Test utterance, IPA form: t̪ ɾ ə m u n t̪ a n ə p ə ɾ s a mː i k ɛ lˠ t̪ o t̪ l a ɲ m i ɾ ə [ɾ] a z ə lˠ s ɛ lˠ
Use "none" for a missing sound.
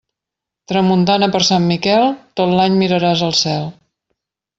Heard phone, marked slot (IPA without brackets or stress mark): ɾ